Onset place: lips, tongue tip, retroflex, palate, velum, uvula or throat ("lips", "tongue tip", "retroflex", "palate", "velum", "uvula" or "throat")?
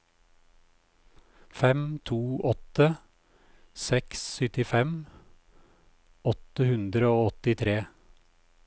lips